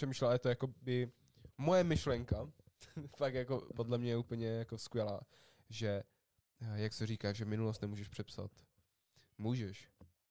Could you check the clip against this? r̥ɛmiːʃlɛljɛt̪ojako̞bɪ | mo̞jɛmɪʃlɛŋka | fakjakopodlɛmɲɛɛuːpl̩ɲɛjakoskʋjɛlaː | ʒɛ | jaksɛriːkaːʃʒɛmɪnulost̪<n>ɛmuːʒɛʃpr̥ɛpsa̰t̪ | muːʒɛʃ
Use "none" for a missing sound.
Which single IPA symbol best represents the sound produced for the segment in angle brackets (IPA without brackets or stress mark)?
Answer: n